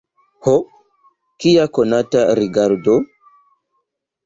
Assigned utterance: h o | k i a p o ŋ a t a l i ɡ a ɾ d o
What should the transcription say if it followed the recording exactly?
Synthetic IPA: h o | k i a k o n a t a ɾ i ɡ a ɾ d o